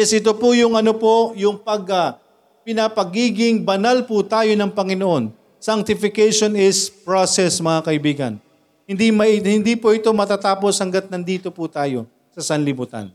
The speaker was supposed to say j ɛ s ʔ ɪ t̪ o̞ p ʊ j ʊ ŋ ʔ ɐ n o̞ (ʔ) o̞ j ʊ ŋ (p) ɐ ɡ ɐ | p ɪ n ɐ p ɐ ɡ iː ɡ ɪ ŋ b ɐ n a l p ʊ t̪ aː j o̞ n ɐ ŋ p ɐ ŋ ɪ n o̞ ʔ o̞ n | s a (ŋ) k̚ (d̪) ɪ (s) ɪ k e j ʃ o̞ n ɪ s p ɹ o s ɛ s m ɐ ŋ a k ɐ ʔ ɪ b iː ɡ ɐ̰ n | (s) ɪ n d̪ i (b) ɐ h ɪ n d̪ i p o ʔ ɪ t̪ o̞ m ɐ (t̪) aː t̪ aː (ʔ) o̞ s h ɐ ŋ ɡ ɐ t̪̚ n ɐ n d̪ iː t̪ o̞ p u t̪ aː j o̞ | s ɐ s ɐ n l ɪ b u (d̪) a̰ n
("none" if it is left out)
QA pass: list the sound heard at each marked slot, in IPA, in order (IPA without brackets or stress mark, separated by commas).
p, p, ŋ, t̪, f, h, m, t̪, p, t̪